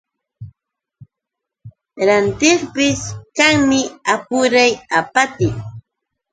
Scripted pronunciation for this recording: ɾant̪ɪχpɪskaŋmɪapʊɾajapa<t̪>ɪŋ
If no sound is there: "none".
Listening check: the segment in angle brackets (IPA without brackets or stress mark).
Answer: t̪